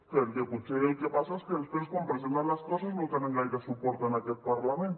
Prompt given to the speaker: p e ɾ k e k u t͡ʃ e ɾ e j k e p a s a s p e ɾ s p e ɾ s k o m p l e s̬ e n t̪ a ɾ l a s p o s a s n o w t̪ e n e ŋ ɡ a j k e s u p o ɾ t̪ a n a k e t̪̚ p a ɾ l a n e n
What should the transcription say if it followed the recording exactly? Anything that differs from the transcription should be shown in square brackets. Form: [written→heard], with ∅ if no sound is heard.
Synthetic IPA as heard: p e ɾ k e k u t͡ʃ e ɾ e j k e p a s a s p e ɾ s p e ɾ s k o m p [l→ɾ] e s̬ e n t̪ a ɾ l a s [p→k] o s a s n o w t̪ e n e ŋ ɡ a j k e s u p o ɾ t̪ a n a k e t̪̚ p a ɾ l a [n→m] e n